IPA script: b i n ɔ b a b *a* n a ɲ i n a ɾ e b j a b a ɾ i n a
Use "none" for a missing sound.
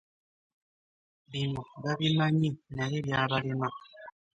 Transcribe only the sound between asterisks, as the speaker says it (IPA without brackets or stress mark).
i